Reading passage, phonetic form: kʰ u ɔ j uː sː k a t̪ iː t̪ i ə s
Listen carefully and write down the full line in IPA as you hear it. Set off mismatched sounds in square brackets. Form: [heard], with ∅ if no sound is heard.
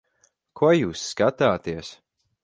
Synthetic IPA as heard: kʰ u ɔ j uː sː k a t̪ [aː] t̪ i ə s